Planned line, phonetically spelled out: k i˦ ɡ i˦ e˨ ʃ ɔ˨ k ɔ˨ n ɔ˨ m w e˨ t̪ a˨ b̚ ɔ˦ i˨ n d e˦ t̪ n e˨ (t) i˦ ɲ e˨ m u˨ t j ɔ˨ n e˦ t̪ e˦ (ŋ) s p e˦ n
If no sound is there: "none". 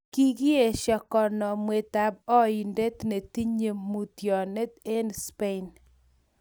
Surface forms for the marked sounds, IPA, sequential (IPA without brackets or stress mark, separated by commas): t, n